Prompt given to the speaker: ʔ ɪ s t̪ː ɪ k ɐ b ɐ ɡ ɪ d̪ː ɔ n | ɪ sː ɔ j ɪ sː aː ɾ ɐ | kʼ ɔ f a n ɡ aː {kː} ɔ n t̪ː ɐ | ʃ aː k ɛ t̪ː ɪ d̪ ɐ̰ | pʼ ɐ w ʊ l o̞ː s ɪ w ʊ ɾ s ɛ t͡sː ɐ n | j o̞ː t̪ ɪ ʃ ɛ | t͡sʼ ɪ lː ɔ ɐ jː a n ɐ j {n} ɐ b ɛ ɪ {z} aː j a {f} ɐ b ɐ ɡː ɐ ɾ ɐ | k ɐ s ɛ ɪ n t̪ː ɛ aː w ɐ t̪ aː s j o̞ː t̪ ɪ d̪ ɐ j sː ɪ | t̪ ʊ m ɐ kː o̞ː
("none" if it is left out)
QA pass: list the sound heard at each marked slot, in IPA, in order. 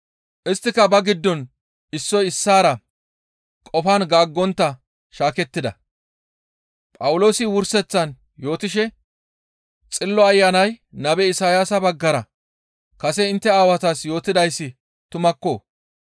ɡː, n, s, s

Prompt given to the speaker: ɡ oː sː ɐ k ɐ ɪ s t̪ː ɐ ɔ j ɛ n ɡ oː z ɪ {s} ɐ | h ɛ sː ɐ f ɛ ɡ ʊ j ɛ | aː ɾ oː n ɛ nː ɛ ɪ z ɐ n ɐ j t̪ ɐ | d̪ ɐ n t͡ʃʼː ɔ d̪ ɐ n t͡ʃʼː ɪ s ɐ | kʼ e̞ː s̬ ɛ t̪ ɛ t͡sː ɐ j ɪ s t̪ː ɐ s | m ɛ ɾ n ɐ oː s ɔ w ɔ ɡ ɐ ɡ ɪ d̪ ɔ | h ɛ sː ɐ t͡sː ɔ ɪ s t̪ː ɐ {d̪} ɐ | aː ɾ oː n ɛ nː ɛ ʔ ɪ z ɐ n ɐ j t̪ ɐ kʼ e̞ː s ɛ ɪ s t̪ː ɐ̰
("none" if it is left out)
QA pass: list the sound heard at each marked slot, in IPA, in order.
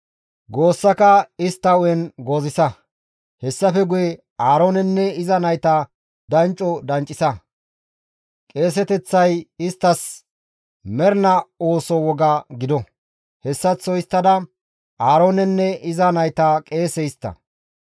s, d̪

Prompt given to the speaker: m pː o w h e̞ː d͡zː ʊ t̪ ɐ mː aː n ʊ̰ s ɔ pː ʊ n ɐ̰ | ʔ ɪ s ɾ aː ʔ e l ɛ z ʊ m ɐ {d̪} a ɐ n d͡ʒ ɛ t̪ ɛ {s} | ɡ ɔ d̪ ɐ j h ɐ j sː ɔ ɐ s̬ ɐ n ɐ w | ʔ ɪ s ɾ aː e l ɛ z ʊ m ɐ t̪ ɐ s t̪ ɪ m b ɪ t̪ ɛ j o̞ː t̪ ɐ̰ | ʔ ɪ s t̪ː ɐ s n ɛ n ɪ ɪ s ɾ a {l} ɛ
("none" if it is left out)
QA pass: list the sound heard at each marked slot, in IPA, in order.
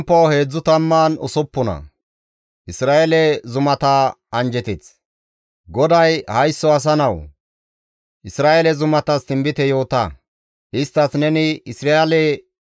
t̪, t͡s, l

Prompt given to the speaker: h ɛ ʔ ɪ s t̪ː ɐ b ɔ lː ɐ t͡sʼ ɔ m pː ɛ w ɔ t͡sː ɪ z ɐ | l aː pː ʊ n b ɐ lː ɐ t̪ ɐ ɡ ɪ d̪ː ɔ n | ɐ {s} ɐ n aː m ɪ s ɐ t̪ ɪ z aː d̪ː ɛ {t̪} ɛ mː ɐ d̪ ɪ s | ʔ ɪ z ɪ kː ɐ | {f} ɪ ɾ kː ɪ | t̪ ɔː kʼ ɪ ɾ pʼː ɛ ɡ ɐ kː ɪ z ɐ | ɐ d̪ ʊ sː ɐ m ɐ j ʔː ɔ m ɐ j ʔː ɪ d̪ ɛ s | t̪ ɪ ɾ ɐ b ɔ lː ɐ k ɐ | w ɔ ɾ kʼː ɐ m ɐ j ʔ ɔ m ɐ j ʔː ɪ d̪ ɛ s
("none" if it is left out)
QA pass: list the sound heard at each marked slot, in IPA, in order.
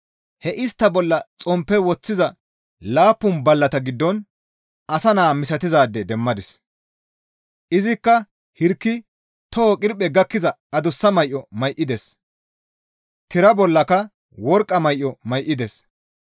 s, d̪, h

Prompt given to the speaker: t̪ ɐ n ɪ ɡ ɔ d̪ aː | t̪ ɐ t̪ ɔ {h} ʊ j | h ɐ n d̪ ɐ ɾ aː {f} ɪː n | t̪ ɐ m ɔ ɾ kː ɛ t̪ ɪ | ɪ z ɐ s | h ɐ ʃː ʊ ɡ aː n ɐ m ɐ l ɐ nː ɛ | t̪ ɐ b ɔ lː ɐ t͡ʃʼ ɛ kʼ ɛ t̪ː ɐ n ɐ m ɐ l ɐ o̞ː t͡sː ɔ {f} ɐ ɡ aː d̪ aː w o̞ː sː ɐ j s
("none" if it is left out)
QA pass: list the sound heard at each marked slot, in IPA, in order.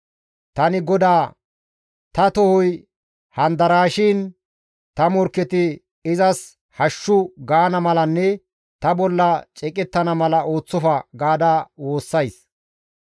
h, ʃ, f

